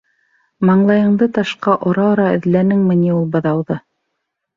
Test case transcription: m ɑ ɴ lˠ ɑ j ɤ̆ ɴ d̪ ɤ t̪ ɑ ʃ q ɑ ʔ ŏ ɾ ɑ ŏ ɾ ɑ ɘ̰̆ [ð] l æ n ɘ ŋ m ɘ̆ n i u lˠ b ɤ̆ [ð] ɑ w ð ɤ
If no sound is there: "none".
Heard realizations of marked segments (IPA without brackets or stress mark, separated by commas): ð, ð